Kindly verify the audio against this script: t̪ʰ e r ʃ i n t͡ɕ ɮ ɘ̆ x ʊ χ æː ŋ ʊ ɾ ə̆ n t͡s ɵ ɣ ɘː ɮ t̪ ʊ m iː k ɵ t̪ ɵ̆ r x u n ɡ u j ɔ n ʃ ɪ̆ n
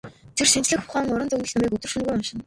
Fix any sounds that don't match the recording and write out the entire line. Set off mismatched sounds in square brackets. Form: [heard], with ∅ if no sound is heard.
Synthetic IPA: t̪ʰ e r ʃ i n t͡ɕ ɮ ɘ̆ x ʊ χ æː ŋ ʊ ɾ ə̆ n t͡s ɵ ɣ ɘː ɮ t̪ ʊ m iː k ɵ t̪ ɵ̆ r [ʃ] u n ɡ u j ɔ n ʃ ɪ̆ n